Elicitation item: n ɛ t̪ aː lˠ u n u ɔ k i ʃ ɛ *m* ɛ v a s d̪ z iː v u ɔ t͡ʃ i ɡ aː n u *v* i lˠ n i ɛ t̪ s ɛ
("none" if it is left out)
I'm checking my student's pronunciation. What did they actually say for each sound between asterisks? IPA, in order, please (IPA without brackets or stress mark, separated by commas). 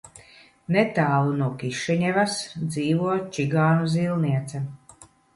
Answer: ɲ, z